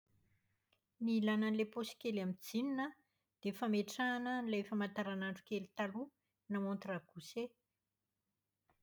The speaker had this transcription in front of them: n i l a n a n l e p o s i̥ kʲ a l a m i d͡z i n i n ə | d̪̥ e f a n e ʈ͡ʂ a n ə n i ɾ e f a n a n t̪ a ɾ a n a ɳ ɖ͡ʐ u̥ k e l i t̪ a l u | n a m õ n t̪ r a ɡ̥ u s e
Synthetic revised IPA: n i l a n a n l e p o s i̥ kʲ e l a m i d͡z i n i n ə | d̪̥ e f a m e ʈ͡ʂ a n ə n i l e f a m a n t̪ a ɾ a n a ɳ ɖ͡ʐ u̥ k e l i t̪ a l u | n a m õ n t̪ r a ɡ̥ u s e